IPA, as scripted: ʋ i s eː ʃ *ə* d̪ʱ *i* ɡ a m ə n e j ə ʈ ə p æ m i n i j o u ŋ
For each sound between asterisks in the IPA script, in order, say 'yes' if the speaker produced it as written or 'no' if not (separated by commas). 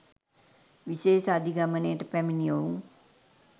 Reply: no, yes